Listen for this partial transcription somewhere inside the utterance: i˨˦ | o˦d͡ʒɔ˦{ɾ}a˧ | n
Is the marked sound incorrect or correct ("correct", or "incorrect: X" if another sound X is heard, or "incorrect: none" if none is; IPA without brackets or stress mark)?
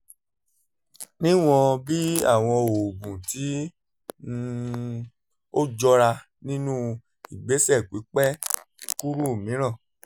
correct